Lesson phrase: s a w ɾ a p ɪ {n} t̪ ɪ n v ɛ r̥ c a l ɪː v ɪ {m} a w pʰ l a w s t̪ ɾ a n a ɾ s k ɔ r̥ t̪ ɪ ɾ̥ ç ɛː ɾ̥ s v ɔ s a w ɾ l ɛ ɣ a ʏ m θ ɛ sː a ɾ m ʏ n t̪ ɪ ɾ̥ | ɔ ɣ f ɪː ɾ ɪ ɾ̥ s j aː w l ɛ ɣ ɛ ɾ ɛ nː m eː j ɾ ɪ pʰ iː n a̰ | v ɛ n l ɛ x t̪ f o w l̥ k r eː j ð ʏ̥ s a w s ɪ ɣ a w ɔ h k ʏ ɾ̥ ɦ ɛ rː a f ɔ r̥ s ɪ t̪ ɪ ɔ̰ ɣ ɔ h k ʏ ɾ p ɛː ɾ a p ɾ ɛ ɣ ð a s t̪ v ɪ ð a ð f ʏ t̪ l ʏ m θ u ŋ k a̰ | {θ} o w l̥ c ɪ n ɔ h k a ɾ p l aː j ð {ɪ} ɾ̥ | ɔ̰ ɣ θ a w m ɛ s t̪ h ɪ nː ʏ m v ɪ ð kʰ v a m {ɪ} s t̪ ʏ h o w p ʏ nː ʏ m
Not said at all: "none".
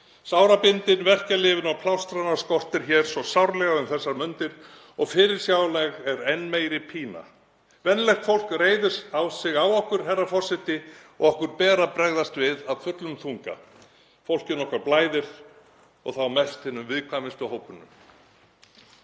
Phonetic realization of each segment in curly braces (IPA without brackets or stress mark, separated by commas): n, n, f, ɪ, ɪ